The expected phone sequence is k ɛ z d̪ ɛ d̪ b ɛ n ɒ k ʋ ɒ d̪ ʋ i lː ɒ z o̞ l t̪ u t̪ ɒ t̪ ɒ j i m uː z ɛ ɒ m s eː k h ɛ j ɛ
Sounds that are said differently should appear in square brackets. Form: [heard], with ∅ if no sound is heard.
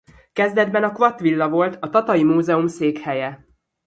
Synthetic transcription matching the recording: k ɛ z d̪ ɛ d̪ b ɛ n ɒ k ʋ ɒ [t̪] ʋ i lː ɒ [v] o̞ l t̪ [ɒ] t̪ ɒ t̪ ɒ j i m uː z ɛ [u] m s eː k h ɛ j ɛ